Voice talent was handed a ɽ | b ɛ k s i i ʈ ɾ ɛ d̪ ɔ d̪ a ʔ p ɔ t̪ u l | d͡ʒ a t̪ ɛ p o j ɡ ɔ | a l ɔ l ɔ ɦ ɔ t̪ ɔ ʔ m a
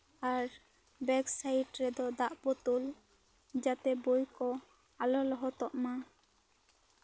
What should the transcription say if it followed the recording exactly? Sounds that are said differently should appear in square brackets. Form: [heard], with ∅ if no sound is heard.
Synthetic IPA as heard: a [ɾ] | b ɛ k s [a] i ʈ ɾ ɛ d̪ ɔ d̪ a ʔ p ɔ t̪ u l | d͡ʒ a t̪ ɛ [b] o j [k] ɔ | a l ɔ l ɔ ɦ ɔ t̪ ɔ ʔ m a